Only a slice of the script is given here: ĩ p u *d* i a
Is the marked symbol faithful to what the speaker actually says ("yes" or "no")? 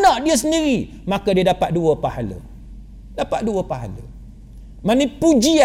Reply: no